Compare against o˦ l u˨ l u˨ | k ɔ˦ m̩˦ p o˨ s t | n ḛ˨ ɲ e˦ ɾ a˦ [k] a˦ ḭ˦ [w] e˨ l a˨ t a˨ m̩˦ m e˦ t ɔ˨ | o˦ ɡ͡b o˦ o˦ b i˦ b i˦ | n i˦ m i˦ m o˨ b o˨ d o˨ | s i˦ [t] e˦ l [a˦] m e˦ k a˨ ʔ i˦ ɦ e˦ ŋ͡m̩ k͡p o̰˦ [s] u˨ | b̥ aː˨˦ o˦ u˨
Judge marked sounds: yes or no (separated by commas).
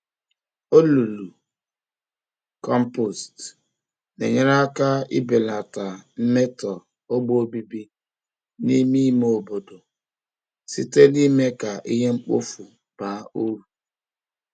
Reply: yes, no, yes, no, no